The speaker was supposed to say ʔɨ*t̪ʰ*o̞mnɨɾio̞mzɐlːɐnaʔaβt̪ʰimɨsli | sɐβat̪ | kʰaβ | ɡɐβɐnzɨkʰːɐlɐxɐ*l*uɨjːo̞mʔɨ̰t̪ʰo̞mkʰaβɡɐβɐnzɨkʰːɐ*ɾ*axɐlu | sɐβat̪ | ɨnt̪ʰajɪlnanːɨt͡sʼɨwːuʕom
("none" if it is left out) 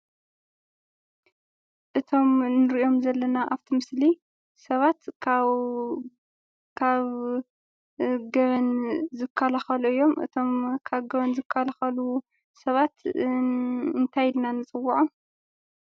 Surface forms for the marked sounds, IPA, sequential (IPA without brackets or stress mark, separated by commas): t̪ʰ, l, l